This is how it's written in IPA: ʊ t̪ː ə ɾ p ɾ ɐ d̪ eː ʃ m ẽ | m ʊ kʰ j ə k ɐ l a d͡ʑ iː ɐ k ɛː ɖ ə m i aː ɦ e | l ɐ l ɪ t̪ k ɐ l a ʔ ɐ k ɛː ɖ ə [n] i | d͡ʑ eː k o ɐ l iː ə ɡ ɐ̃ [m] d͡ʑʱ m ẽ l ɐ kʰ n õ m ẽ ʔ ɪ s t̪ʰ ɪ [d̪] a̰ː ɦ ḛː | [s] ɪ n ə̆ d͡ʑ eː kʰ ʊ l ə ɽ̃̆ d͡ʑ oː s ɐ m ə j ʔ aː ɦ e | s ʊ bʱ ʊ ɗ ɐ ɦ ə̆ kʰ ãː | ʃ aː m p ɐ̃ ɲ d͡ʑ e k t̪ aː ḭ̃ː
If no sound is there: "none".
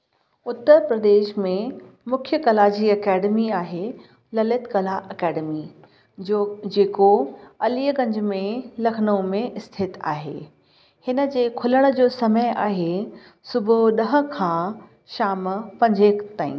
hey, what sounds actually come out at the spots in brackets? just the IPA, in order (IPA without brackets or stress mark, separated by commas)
m, ɲ, t̪, h